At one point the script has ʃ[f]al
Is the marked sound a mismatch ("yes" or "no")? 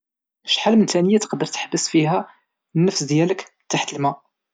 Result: yes